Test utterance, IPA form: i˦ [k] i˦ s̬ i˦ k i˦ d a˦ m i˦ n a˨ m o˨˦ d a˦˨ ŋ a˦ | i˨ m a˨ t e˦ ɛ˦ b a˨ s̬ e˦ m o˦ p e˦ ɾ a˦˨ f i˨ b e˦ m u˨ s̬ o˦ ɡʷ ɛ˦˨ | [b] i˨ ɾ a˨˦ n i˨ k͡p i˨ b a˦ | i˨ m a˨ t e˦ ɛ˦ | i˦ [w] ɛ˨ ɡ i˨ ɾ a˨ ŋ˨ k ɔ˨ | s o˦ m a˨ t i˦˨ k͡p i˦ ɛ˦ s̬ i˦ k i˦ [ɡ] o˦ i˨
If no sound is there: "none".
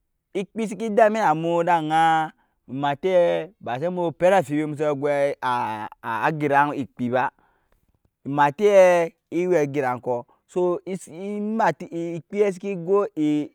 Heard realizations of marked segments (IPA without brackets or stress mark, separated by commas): k͡p, ɡ, w, ɡ